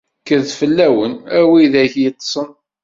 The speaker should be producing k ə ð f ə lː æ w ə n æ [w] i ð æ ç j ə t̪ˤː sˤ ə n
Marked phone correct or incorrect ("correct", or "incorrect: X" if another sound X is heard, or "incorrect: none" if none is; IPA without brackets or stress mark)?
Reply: correct